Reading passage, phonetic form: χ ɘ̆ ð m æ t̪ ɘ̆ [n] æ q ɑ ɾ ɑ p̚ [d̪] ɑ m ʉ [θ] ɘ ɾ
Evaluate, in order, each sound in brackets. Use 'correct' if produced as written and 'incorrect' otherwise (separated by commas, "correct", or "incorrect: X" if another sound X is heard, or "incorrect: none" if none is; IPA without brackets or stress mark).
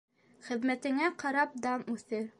incorrect: ŋ, correct, correct